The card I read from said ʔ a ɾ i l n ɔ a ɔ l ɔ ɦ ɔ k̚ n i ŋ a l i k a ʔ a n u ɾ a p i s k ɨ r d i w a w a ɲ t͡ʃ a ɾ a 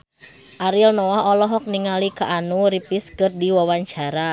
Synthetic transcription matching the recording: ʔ a ɾ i l n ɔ a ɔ l ɔ ɦ ɔ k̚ n i ŋ a l i k a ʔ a n u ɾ i p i s k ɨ r d i w a w a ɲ t͡ʃ a ɾ a

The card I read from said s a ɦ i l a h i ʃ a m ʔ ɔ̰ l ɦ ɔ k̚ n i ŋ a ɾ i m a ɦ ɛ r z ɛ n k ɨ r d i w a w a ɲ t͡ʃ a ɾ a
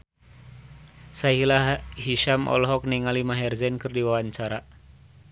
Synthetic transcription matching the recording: s a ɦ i l a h i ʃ a m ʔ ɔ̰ l ɦ ɔ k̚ n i ŋ a l i m a ɦ ɛ r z ɛ n k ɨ r d i w a w a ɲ t͡ʃ a ɾ a

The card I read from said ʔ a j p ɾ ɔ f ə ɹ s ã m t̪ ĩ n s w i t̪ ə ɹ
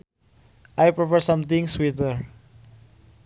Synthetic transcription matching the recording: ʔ a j p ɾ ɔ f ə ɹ s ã m t̪ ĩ ŋ s w i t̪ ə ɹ

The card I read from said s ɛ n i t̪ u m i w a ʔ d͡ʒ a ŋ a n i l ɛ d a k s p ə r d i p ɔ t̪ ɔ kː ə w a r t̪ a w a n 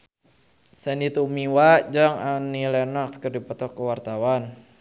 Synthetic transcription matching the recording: s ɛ n i t̪ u m i w a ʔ d͡ʒ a ŋ a n i l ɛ n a k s k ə r d i p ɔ t̪ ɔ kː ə w a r t̪ a w a n

